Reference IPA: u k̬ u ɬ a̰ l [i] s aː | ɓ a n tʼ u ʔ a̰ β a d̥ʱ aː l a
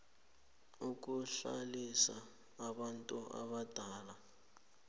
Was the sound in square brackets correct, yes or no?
yes